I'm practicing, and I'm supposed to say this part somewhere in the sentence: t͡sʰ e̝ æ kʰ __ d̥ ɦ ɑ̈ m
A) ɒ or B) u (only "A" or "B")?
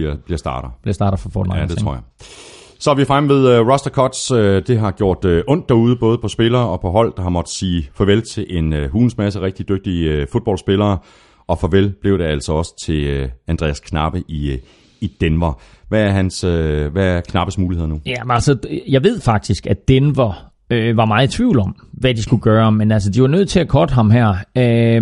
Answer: A